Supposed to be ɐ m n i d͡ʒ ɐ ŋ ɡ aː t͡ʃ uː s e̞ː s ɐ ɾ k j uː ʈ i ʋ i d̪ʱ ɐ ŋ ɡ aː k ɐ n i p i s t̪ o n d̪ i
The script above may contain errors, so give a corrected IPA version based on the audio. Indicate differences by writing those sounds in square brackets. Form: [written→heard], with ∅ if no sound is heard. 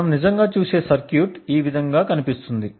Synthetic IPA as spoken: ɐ m n i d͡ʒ ɐ ŋ ɡ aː t͡ʃ uː s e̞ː s ɐ ɾ k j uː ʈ [i→iː] ʋ i d̪ʱ ɐ ŋ ɡ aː k ɐ n i p i s t̪ [o→u] n d̪ i